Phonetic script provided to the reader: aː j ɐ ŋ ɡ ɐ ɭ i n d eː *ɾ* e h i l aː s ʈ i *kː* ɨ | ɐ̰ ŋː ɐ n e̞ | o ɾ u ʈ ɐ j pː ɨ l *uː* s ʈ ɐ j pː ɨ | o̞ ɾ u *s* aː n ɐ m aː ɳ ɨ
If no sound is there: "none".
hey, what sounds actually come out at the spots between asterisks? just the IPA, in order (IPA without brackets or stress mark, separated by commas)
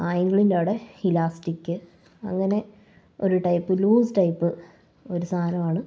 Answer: ɽ, kː, uː, s